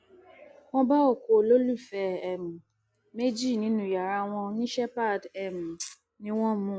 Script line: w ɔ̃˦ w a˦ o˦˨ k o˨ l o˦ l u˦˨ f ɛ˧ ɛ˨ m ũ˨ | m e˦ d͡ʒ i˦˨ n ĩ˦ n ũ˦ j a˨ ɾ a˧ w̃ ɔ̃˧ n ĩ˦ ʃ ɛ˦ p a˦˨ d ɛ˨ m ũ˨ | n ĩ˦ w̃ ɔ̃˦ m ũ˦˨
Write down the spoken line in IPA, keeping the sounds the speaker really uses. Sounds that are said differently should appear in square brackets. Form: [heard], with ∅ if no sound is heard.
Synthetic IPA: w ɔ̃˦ [b] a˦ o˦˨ k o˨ l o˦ l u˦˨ f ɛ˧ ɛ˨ m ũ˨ | m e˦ d͡ʒ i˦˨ n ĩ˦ n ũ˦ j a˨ ɾ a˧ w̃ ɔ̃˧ n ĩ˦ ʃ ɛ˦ p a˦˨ d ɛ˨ m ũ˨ | n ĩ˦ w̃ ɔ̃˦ m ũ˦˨